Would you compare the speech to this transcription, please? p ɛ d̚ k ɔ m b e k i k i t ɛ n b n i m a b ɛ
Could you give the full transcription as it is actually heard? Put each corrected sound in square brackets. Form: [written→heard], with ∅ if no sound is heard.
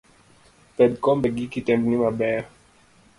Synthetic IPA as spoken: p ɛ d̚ k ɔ m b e [k→ɡ] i k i t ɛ [n→m] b n i m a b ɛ